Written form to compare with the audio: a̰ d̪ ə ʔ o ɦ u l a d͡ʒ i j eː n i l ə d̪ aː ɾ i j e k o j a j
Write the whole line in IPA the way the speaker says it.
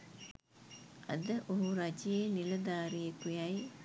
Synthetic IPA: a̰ d̪ ə ʔ o ɦ u ɾ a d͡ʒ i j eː n i l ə d̪ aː ɾ i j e k u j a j